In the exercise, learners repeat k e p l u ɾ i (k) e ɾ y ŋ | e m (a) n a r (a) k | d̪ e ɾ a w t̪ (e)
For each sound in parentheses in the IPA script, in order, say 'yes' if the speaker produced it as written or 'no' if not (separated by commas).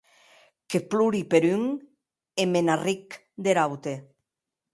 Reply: no, no, no, yes